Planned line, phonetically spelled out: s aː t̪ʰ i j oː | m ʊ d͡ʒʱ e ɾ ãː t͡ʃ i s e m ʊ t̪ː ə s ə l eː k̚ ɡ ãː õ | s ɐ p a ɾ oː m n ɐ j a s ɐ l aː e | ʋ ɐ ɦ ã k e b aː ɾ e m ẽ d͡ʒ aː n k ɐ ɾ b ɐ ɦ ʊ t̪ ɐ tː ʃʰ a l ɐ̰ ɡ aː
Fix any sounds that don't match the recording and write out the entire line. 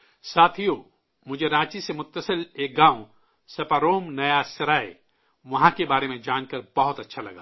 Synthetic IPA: s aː t̪ʰ i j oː | m ʊ d͡ʒʱ e ɾ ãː t͡ʃ i s e m ʊ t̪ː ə s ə l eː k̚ ɡ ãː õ | s ɐ p a ɾ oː m n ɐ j a s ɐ ɾ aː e | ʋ ɐ ɦ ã k e b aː ɾ e m ẽ d͡ʒ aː n k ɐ ɾ b ɐ ɦ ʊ t̪ ɐ tː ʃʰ a l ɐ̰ ɡ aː